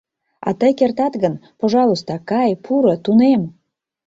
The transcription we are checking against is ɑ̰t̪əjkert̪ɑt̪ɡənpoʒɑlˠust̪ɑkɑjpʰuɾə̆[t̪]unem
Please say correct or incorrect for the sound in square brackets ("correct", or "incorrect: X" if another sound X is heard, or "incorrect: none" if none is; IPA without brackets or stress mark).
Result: correct